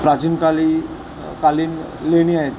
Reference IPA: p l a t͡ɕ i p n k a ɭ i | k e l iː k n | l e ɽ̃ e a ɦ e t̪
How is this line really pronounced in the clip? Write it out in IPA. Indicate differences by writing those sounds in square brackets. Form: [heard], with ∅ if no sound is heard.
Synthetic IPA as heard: p [ɾ] a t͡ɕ i [∅] n k a [l] i | k [a] l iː [∅] n | l e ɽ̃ [i] a ɦ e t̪